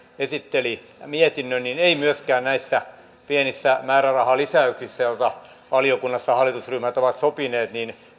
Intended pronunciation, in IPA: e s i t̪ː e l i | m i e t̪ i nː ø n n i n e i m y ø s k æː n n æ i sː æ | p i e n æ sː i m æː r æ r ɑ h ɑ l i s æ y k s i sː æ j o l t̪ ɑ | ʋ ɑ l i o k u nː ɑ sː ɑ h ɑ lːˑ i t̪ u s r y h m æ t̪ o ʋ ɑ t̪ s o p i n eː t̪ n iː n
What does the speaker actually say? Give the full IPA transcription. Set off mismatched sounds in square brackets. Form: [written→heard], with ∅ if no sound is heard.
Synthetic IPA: e s i t̪ː e l i | m i e t̪ i nː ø n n i n e i m y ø s k æː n n æ i sː æ | p i e n [æ→i] sː [i→æ] m æː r æ r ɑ h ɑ l i s æ y k s i sː æ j o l t̪ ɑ | ʋ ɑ l i o k u nː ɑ sː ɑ h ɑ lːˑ i t̪ u s r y h m æ t̪ o ʋ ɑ t̪ s o p i n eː t̪ n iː n